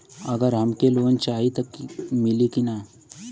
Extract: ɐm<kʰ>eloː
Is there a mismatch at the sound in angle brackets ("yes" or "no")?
yes